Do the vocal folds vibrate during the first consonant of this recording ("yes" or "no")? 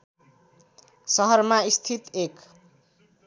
no